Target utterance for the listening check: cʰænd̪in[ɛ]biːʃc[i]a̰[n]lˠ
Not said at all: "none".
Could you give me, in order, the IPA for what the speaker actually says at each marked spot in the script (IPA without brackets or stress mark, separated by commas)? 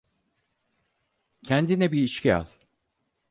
ɛ, i, none